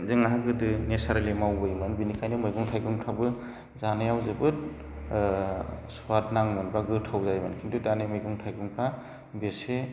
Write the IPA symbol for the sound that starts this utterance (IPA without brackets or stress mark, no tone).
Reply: z